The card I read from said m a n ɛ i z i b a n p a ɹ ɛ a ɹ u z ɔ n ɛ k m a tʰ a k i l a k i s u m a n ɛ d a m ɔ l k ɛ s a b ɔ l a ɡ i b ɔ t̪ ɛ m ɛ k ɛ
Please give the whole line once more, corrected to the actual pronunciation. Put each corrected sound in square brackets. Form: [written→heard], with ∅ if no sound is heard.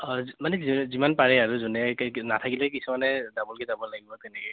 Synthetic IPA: m a n ɛ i z i [b→m] a n p a ɹ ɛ a ɹ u z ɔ n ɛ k [m→n] a tʰ a k i l [a→ɛ] k i s u m a n ɛ d a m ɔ l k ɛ [s→z] a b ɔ l a ɡ i b ɔ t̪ ɛ [m→n] ɛ k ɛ